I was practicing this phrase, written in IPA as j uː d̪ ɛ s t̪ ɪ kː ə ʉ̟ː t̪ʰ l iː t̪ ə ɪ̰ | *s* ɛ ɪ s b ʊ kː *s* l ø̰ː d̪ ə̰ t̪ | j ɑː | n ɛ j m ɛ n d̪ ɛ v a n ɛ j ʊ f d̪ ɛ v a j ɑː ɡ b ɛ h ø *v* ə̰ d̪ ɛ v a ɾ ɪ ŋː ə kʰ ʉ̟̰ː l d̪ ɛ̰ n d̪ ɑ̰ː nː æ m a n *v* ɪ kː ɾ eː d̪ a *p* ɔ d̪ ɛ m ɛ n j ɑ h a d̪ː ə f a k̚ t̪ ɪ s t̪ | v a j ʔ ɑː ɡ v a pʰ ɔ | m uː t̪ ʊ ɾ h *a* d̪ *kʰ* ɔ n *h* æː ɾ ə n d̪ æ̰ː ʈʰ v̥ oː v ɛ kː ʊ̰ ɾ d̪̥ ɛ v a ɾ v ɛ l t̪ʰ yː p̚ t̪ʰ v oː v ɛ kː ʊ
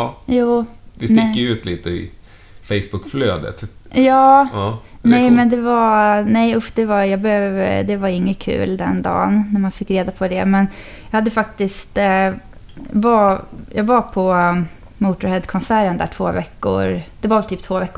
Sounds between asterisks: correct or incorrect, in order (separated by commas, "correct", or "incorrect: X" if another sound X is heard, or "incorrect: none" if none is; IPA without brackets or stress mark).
incorrect: f, incorrect: f, correct, incorrect: f, incorrect: pʰ, incorrect: ɛ, correct, incorrect: s